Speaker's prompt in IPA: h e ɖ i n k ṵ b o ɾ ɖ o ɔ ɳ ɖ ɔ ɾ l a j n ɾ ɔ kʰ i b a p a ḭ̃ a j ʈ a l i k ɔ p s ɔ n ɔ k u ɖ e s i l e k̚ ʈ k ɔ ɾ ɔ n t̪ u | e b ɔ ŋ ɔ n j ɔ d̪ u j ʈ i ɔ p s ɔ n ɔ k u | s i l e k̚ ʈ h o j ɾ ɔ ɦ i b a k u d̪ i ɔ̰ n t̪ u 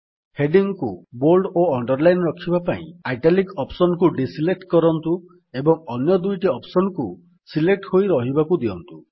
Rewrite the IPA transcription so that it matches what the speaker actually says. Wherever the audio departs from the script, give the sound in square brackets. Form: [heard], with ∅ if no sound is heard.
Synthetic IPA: h e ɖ i [ŋ] k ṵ b o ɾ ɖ o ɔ ɳ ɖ ɔ ɾ l a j n ɾ ɔ kʰ i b a p a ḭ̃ a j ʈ a l i k ɔ p s ɔ n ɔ k u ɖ [i] s i l e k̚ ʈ k ɔ ɾ ɔ n t̪ u | e b ɔ ŋ ɔ n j ɔ d̪ u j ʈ i ɔ p s ɔ n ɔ k u | s i l e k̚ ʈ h o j ɾ ɔ ɦ i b a k u d̪ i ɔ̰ n t̪ u